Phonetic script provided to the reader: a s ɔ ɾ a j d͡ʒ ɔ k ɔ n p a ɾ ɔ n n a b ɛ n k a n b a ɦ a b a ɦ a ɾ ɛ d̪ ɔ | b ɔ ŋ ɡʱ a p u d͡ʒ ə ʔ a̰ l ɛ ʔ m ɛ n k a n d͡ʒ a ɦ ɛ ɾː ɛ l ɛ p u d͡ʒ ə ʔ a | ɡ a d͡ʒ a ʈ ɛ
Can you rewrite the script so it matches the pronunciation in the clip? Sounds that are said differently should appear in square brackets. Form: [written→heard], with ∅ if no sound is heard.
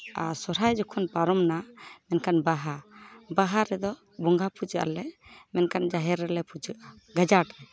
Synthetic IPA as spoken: a s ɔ ɾ a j d͡ʒ ɔ [k→kʰ] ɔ n p a ɾ ɔ [n→m] n a [b→m] ɛ n k a n b a ɦ a b a ɦ a ɾ ɛ d̪ ɔ | b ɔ ŋ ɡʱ a p u d͡ʒ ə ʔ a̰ l ɛ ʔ m ɛ n k a n d͡ʒ a ɦ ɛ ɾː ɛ l ɛ p u d͡ʒ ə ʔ a | ɡ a d͡ʒ a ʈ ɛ